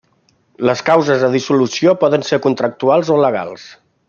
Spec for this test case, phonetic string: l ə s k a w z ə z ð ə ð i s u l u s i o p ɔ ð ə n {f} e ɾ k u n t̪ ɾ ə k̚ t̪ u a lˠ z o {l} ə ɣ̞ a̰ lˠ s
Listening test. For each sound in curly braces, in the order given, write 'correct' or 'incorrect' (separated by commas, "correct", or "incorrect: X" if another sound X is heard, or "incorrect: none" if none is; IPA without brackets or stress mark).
incorrect: s, correct